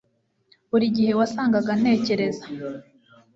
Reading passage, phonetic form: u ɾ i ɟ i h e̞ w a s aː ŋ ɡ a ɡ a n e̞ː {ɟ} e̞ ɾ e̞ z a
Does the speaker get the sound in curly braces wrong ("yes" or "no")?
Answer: yes